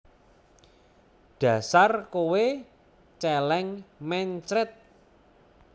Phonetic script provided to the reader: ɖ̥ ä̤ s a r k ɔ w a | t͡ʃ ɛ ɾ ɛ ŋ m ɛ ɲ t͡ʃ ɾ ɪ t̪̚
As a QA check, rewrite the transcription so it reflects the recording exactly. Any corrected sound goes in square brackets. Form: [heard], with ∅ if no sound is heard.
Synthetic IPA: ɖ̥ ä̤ s a r k [o] w [e] | t͡ʃ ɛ [l] ɛ ŋ m ɛ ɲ t͡ʃ ɾ ɪ t̪̚